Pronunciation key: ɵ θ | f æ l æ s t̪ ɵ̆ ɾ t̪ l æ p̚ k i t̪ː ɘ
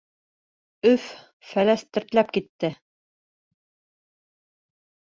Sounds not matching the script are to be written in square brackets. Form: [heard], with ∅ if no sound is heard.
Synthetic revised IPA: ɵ [f] | f æ l æ s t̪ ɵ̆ ɾ t̪ l æ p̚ k i t̪ː ɘ